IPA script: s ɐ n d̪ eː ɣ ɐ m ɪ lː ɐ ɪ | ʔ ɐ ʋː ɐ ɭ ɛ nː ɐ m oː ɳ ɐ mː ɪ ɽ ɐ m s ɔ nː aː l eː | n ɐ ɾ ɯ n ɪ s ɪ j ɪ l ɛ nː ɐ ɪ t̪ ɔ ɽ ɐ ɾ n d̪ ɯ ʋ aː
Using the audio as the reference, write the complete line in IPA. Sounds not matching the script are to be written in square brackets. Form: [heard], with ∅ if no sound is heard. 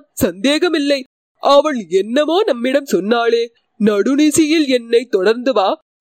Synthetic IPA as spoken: s ɐ n d̪ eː ɣ ɐ m ɪ lː ɐ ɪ | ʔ ɐ [ʋ] ɐ ɭ ɛ nː ɐ m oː [n] ɐ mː ɪ ɽ ɐ m s ɔ nː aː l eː | n ɐ [ɽ] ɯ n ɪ s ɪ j ɪ l ɛ nː ɐ ɪ t̪ ɔ ɽ ɐ ɾ n d̪ ɯ ʋ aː